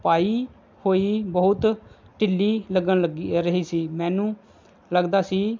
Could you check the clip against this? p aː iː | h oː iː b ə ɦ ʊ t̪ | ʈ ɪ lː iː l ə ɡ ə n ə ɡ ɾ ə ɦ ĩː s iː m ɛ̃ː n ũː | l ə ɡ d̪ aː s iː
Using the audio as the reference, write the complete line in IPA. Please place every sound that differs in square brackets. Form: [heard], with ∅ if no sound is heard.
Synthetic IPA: p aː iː | h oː iː b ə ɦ ʊ t̪ | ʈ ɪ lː iː l ə ɡ ə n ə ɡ ɾ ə ɦ [iː] s iː m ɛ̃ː n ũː | l ə ɡ d̪ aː s iː